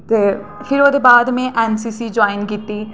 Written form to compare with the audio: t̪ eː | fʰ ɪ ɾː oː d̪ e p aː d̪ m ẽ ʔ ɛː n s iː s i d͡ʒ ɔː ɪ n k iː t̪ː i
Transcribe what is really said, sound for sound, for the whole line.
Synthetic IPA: t̪ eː | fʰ ɪ ɾ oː d̪ e b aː d̪ m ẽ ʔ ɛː n s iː s i d͡ʒ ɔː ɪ n k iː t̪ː i

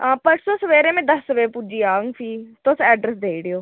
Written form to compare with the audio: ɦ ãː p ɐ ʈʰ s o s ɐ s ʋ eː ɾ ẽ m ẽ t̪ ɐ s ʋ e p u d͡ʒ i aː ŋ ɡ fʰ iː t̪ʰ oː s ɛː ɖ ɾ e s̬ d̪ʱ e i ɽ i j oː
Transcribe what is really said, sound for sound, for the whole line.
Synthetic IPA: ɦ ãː p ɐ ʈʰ s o s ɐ ʋ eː ɾ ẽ m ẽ d̪ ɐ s ʋ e p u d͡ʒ i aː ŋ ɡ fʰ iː t̪ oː s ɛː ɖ ɾ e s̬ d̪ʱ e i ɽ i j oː

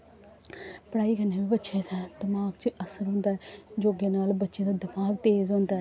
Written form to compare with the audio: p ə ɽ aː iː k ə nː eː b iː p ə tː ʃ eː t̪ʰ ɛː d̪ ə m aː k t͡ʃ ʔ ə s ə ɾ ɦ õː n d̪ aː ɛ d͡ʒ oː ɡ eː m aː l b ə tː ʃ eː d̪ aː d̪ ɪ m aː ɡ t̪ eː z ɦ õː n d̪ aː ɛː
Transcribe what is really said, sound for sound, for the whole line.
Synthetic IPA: p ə ɽ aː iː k ə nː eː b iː b ə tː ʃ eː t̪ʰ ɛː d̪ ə m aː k t͡ʃ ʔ ə s ə ɾ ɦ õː n d̪ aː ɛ d͡ʒ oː ɡ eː n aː l b ə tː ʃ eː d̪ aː d̪ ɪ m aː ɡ t̪ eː z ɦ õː n d̪ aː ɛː

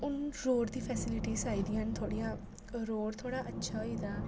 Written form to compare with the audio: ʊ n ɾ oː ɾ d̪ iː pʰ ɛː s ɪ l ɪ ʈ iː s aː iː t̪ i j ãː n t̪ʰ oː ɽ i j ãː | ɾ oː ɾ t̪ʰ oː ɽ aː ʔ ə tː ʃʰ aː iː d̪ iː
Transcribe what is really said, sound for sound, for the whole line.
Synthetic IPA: ʊ n ɾ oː ɾ d̪ iː pʰ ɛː s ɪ l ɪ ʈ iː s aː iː d̪ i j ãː n t̪ʰ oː ɽ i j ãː | ɾ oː ɾ t̪ʰ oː ɽ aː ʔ ə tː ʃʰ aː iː d̪ aː

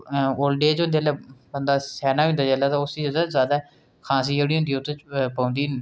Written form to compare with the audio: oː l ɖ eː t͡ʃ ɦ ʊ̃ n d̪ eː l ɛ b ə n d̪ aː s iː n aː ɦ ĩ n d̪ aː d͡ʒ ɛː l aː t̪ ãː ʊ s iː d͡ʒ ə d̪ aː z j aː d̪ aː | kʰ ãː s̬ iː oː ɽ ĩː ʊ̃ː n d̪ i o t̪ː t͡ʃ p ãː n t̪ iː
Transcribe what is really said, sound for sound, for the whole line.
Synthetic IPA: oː l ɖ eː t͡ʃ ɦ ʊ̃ n d̪ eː l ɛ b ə n d̪ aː s ɛː n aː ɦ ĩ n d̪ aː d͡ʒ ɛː l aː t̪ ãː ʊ s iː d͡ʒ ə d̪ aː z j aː d̪ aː | kʰ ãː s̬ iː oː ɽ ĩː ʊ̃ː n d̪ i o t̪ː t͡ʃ p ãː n d̪ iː

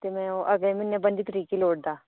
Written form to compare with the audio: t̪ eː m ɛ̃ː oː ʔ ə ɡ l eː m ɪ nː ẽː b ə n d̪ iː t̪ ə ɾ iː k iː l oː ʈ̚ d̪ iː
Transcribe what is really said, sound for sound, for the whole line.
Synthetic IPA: t̪ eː m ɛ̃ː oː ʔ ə ɡ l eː m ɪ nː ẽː b ə n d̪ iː t̪ ə ɾ iː k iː l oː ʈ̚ d̪ aː

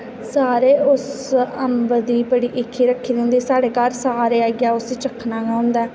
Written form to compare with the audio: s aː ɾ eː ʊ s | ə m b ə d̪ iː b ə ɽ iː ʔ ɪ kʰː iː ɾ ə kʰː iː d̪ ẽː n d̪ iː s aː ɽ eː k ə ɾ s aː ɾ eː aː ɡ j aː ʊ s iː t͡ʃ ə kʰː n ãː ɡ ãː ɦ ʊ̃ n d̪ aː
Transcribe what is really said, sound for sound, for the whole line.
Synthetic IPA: s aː ɾ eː ʊ s | ə m b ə d̪ iː b ə ɽ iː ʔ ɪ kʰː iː ɾ ə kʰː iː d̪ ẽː n d̪ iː s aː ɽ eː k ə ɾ s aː ɾ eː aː ɡ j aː ʊ s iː t͡ʃ ə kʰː n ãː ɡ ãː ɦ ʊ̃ n d̪ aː

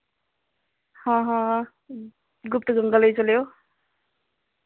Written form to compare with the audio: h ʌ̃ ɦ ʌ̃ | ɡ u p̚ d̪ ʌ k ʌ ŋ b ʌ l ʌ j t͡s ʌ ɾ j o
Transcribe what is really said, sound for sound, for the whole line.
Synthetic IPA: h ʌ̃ ɦ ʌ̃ | ɡ u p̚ t̪ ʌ ɡ ʌ ŋ ɡ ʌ l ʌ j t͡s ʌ l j o

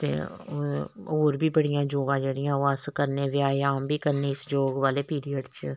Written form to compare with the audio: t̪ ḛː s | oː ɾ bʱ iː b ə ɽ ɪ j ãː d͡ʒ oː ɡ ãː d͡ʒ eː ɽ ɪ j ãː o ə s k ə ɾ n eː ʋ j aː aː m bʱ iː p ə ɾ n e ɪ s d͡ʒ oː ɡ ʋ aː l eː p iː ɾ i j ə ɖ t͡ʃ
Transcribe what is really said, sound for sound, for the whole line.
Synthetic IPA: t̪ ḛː | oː ɾ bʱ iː b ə ɽ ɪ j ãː d͡ʒ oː ɡ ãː d͡ʒ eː ɽ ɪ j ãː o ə s k ə ɾ n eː ʋ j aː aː m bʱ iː k ə ɾ n e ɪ s d͡ʒ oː ɡ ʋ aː l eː p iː ɾ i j ə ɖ t͡ʃ

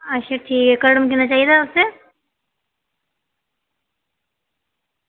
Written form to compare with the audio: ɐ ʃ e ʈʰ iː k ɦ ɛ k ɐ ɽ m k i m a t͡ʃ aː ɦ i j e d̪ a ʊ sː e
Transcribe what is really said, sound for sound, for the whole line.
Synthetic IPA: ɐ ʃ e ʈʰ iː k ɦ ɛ k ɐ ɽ m k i n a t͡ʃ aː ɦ i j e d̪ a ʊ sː e

